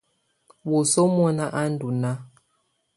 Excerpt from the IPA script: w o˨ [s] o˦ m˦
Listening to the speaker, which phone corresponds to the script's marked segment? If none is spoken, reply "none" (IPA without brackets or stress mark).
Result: s